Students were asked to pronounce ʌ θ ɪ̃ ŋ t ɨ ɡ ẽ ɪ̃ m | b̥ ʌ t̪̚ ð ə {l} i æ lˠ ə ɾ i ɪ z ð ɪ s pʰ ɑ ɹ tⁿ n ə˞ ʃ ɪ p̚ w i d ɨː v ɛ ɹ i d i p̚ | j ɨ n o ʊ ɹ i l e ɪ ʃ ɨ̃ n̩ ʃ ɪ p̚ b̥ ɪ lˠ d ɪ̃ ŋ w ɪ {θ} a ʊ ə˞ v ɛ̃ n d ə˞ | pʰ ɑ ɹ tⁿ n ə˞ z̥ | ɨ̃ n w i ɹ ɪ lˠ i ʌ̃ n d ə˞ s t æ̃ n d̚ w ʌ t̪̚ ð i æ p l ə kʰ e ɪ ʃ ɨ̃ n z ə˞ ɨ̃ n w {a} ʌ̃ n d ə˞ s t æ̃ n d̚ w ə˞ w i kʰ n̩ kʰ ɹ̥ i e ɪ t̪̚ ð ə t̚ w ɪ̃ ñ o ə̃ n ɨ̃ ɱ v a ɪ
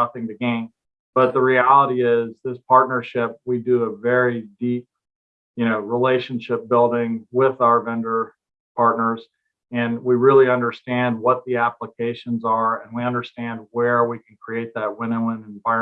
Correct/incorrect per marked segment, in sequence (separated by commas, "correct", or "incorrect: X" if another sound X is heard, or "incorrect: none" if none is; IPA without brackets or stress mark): incorrect: ɹ, incorrect: ð, incorrect: i